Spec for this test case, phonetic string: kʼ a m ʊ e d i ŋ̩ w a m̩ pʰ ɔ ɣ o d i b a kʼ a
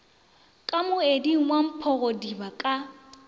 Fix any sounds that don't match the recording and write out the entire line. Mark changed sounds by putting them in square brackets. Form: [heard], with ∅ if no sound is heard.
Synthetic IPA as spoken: kʼ a m ʊ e d i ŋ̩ w a m̩ pʰ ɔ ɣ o d i b a kʼ a